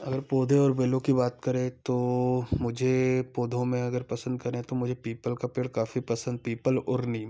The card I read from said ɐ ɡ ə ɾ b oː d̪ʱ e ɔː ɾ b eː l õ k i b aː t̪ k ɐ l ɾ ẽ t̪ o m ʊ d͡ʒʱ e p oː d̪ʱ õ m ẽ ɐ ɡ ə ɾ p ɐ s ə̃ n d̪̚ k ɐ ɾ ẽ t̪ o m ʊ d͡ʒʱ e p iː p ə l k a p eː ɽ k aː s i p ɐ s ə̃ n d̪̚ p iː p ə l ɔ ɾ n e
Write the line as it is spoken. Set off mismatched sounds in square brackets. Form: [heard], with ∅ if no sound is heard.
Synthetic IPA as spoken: ɐ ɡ ə ɾ [p] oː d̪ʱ e ɔː ɾ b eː l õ k i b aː t̪ k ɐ [∅] ɾ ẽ t̪ o m ʊ d͡ʒʱ e p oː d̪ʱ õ m ẽ ɐ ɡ ə ɾ p ɐ s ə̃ n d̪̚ k ɐ ɾ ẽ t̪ o m ʊ d͡ʒʱ e p iː p ə l k a p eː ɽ k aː [f] i p ɐ s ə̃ n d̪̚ p iː p ə l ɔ ɾ n [i]